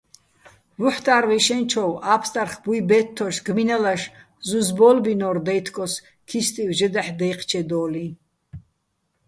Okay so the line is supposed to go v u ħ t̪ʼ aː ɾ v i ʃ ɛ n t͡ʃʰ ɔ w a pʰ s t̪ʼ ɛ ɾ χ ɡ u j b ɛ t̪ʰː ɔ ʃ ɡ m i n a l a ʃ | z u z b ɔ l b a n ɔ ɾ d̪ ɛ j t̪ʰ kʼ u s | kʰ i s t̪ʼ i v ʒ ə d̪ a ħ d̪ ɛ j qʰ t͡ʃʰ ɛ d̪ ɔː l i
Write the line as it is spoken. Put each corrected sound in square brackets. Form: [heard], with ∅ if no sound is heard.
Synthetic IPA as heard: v u ħ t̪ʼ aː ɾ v i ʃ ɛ n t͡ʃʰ ɔ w a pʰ s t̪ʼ [a] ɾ χ [b] u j b ɛ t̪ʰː ɔ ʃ ɡ m i n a l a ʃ | z u z b ɔ l b [i] n ɔ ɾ d̪ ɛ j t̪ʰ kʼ [ɔ] s | kʰ i s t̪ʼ i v ʒ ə d̪ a ħ d̪ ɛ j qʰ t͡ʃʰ ɛ d̪ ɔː l i